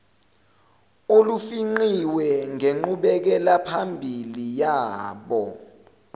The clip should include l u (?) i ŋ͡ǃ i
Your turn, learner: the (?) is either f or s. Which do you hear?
f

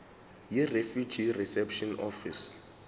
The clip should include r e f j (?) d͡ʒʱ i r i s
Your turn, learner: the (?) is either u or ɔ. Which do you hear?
u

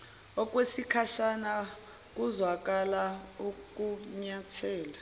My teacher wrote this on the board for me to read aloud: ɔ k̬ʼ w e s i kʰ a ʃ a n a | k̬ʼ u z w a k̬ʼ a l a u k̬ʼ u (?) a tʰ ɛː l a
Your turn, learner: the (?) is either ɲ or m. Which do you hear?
ɲ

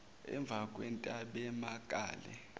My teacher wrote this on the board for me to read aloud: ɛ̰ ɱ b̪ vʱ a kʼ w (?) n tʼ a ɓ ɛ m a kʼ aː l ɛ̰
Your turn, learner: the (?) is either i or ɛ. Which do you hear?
ɛ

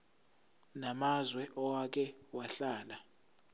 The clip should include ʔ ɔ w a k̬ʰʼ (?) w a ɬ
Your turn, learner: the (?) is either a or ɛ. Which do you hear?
ɛ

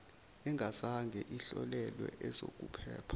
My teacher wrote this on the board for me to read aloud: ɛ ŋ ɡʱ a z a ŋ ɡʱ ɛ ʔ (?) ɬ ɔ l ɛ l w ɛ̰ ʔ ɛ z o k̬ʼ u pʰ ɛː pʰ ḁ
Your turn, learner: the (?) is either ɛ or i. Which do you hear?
i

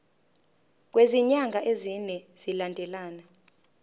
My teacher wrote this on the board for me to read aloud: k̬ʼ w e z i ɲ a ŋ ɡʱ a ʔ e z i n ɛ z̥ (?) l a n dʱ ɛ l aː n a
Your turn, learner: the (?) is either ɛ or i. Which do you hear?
i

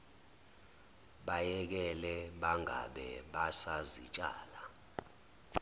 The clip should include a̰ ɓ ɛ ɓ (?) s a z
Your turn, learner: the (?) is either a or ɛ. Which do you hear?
a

